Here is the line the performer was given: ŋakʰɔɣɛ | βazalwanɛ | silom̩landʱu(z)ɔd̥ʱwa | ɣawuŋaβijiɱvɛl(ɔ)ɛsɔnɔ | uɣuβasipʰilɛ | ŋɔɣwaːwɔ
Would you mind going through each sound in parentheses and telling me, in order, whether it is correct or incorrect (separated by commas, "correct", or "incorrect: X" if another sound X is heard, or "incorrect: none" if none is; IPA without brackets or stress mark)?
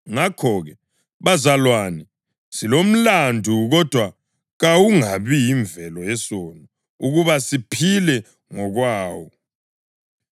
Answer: incorrect: ɣ, correct